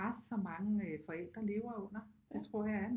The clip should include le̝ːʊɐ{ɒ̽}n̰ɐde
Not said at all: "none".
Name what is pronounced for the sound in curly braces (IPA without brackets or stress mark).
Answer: ɔ̽